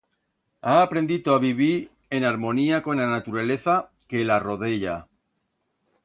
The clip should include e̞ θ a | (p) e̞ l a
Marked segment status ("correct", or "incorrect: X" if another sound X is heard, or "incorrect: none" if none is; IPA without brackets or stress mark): incorrect: k